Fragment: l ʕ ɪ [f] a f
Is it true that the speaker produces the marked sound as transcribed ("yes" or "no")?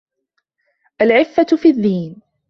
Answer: no